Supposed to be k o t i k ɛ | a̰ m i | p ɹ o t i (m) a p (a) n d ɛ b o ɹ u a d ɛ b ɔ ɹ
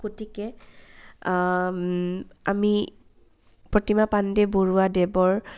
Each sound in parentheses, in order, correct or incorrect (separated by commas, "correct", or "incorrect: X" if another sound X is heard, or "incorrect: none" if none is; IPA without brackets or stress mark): correct, correct